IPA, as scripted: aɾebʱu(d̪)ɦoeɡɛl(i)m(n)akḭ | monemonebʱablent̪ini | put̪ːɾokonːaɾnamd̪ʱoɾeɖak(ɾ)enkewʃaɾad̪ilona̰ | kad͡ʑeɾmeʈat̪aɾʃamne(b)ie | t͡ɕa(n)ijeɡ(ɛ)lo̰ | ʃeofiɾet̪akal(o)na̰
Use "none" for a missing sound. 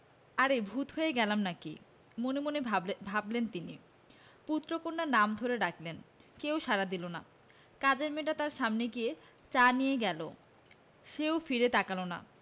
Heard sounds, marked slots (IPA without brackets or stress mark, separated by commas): t̪, a, n, l, ɡ, n, ɛ, o